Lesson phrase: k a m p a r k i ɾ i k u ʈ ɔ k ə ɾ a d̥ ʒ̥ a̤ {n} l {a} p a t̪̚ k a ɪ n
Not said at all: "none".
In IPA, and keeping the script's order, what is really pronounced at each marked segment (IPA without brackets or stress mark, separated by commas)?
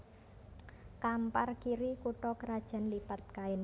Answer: n, i